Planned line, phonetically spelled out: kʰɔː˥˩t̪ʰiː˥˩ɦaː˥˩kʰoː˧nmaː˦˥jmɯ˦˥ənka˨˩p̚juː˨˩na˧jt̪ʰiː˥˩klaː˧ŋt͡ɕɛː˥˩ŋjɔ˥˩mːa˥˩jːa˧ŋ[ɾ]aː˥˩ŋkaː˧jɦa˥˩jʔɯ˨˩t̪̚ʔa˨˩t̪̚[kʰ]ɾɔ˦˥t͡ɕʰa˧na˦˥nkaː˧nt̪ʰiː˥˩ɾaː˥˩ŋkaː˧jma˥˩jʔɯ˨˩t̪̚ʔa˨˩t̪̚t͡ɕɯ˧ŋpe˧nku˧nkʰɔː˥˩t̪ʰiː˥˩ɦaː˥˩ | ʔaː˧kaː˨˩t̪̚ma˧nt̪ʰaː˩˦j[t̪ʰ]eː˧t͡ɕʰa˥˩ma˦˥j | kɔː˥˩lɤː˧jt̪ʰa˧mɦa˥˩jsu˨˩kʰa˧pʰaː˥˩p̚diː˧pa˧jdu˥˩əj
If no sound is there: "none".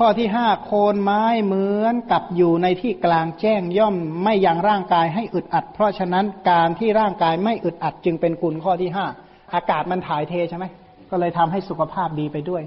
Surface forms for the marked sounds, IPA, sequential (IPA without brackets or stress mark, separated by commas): ɾ, pʰ, t̪ʰ